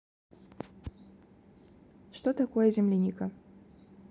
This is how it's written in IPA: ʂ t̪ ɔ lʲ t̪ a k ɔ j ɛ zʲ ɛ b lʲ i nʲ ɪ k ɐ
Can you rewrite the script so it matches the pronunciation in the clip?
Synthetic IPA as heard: ʂ t̪ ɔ t̪ a k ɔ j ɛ zʲ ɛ m lʲ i nʲ i k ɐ